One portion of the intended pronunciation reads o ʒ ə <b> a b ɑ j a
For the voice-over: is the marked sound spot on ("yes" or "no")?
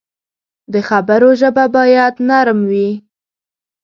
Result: yes